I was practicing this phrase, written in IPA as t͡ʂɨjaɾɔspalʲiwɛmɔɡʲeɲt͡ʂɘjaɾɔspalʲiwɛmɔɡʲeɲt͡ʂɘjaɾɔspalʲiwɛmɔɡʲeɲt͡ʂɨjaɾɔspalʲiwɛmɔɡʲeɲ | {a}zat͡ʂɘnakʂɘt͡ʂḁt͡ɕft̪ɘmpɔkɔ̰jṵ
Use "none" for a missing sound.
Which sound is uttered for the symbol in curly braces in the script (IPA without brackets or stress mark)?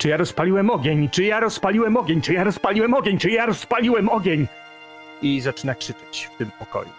i